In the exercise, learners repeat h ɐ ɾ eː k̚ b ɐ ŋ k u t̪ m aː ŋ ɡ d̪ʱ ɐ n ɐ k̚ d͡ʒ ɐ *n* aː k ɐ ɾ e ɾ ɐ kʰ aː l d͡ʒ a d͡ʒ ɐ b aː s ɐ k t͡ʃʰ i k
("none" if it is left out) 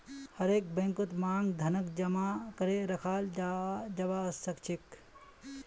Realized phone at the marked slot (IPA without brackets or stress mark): m